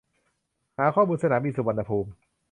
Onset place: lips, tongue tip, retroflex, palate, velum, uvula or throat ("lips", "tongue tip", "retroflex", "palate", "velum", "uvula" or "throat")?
throat